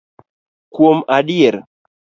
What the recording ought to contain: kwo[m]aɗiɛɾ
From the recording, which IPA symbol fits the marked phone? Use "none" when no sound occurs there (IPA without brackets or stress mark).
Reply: m